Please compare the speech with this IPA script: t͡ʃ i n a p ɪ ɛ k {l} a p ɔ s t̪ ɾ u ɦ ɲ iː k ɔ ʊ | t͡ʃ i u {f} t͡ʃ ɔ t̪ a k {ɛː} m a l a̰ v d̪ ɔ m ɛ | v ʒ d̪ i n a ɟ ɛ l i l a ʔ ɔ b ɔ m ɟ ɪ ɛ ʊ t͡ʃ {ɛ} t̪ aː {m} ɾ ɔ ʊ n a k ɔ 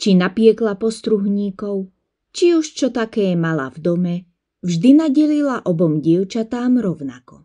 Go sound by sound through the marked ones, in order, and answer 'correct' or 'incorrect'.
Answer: correct, incorrect: ʃ, correct, incorrect: a, correct

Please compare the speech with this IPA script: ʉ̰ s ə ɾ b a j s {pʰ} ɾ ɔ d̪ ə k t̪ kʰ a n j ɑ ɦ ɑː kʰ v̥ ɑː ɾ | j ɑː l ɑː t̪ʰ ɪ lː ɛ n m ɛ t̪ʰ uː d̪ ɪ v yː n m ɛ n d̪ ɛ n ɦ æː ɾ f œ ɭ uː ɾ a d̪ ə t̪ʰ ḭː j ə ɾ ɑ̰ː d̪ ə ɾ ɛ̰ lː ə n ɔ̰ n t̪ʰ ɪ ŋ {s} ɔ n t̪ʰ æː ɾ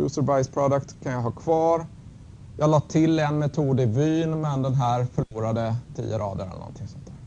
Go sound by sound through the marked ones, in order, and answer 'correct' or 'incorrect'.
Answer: correct, correct

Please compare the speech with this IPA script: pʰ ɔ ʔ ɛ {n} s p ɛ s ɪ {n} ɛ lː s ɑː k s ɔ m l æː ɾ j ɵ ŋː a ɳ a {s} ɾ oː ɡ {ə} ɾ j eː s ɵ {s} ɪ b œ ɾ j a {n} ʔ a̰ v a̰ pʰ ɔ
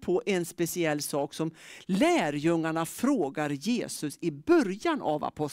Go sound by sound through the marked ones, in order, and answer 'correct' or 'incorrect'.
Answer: correct, incorrect: none, incorrect: f, incorrect: a, correct, correct

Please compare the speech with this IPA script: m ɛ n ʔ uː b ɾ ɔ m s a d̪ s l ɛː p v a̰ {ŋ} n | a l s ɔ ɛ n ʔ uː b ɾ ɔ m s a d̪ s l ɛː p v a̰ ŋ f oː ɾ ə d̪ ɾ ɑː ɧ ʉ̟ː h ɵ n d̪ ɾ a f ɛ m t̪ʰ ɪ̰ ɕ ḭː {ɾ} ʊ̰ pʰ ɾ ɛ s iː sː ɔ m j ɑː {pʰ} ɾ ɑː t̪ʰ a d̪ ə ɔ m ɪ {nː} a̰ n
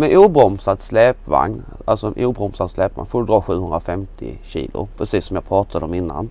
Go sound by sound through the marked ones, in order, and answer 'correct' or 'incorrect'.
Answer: correct, incorrect: l, correct, correct

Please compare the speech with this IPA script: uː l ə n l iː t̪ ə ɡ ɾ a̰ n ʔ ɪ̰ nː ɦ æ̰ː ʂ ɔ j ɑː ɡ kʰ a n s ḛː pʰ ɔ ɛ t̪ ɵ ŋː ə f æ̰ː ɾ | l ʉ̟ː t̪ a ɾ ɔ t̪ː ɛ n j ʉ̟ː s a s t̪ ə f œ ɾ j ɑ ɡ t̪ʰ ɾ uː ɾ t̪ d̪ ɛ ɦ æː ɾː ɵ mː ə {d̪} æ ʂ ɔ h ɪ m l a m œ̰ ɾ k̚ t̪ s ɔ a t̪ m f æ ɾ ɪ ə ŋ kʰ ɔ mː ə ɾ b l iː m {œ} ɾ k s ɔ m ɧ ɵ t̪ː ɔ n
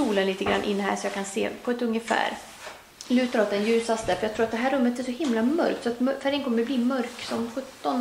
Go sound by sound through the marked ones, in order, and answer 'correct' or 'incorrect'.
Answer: incorrect: t̪, correct

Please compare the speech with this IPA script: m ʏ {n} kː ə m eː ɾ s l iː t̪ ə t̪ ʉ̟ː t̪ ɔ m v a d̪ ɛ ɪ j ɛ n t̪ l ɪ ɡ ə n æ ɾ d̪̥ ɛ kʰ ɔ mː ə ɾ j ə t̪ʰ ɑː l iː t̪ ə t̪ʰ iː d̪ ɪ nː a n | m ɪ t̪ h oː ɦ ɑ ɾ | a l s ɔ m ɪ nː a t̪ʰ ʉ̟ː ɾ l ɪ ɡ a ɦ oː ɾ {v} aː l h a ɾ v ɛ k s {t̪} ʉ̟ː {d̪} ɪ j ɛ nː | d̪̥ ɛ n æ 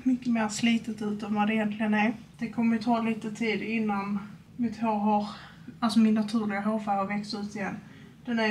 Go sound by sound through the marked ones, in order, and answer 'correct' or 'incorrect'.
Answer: incorrect: none, incorrect: f, correct, incorrect: t̪

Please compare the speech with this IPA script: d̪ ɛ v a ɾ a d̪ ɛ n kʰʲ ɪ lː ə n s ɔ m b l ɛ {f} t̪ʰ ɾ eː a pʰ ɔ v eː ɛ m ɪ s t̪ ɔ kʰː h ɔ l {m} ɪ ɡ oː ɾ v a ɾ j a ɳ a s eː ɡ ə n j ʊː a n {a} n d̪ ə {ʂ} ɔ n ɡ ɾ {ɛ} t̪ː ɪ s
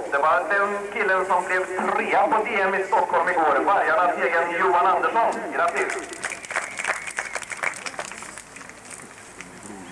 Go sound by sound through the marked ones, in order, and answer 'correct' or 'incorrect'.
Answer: incorrect: v, correct, correct, correct, incorrect: a

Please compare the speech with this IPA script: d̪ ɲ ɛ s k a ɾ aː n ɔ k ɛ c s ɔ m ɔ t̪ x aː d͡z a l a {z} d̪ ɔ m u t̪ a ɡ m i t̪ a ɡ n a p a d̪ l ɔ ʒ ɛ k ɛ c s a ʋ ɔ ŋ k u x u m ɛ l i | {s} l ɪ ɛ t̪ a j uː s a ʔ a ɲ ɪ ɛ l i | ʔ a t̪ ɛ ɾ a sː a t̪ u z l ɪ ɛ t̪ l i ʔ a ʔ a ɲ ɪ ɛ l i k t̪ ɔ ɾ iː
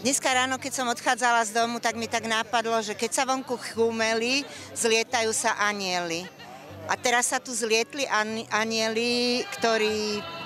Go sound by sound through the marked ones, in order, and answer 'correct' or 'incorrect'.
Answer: correct, incorrect: z

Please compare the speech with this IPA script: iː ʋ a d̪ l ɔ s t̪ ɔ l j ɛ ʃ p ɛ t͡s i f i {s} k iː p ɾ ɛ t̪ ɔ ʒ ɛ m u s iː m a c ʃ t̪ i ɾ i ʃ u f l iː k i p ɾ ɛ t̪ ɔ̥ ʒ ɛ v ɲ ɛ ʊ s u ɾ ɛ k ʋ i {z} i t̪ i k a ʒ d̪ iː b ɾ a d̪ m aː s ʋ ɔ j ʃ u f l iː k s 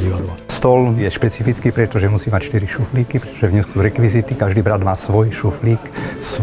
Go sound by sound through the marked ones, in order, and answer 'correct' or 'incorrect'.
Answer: incorrect: t͡s, correct

